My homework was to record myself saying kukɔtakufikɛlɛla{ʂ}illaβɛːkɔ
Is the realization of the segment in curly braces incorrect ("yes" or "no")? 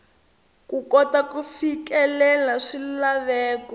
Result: no